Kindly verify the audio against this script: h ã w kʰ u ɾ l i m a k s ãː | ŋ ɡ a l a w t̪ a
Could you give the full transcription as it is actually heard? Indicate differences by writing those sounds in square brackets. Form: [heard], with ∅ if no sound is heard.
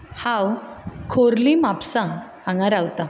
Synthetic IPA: h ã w kʰ [o] ɾ l i m a [p] s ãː | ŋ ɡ a [ɾ] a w t̪ a